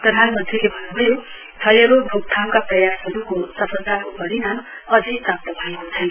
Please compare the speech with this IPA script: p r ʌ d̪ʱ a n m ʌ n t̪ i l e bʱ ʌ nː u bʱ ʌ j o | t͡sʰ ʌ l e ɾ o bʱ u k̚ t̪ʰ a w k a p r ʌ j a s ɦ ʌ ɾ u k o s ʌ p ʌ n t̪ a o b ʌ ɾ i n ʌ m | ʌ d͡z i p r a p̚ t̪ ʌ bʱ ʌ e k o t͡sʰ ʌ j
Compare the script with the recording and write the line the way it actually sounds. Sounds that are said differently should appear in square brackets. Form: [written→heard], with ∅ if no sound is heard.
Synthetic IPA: p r ʌ d̪ʱ a n m ʌ n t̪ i l e bʱ ʌ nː u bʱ ʌ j o | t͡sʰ ʌ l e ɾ o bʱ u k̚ t̪ʰ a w k a p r ʌ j a s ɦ ʌ ɾ u k o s ʌ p ʌ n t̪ a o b ʌ ɾ i n [ʌ→a] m | ʌ d͡z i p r a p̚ t̪ ʌ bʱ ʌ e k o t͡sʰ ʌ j